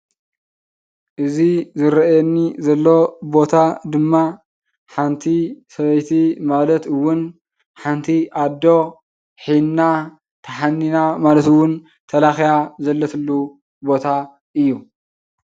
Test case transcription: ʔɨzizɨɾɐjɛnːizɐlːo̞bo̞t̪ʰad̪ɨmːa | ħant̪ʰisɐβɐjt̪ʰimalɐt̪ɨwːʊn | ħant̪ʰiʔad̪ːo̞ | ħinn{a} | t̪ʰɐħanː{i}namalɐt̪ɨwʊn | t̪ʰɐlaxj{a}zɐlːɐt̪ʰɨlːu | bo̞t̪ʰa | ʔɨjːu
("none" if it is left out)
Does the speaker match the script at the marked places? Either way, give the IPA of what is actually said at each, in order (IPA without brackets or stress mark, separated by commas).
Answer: a, i, a